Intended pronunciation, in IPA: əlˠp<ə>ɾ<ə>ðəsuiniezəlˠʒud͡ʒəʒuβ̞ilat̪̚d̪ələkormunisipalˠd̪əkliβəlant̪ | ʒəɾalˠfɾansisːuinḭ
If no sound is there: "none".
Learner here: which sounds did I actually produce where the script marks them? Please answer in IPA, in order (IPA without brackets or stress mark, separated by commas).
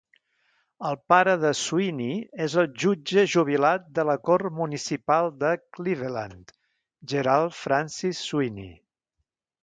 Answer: a, ə